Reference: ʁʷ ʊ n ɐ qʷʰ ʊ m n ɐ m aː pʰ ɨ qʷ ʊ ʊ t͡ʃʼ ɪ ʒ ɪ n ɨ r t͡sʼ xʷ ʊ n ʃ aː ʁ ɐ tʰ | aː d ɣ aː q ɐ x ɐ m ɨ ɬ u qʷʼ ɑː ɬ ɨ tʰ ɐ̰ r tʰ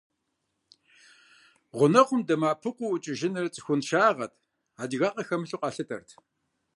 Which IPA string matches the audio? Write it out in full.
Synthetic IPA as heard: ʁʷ ʊ n ɐ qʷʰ ʊ m d ɐ m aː pʰ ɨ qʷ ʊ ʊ t͡ʃʼ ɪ ʒ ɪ n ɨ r t͡sʼ xʷ ʊ n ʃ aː ʁ ɐ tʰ | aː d ɣ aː q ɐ x ɐ m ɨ ɬ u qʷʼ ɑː ɬ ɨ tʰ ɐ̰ r tʰ